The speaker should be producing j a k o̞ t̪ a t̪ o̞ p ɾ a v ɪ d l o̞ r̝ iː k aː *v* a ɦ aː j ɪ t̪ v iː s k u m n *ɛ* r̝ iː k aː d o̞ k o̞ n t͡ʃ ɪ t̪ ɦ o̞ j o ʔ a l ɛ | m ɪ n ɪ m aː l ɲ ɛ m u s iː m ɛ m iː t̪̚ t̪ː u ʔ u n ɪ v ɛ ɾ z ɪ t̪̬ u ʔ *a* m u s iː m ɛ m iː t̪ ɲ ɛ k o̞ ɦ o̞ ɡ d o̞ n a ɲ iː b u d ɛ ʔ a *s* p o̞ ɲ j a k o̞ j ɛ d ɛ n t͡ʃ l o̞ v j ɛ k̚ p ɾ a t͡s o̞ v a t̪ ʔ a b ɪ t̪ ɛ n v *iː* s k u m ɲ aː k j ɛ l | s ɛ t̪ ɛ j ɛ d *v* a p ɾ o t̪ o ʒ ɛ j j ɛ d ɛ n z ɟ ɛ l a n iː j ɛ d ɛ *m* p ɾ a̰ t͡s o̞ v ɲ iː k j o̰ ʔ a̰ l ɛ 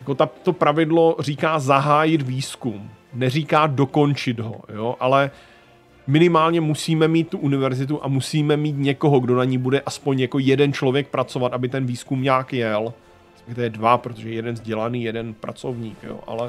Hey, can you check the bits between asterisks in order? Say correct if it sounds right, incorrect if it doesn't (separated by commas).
incorrect, correct, correct, correct, correct, correct, incorrect